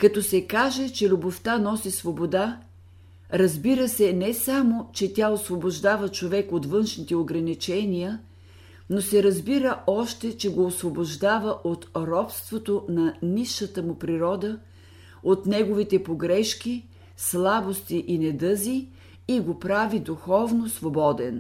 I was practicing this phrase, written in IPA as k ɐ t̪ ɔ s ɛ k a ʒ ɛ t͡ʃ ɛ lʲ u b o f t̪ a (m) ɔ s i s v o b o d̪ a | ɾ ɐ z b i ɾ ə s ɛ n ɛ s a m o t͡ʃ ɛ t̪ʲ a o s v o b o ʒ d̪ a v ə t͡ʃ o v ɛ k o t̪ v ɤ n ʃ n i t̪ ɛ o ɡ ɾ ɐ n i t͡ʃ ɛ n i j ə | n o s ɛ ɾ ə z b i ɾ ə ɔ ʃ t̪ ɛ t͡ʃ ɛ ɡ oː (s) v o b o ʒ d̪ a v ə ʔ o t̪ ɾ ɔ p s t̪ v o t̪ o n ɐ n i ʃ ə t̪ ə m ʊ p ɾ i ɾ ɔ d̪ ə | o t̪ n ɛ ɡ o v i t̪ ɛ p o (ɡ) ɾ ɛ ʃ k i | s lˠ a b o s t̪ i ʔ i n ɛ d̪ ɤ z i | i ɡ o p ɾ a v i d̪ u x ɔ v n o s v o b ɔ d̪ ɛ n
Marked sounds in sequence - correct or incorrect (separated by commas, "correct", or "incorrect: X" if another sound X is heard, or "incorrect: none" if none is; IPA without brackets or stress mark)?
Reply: incorrect: n, correct, correct